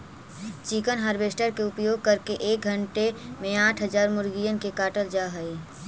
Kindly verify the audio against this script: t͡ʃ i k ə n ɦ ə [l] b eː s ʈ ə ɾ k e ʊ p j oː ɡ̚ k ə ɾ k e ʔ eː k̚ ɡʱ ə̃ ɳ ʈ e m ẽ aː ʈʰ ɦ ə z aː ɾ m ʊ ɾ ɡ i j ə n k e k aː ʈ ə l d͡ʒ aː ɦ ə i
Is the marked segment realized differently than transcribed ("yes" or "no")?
yes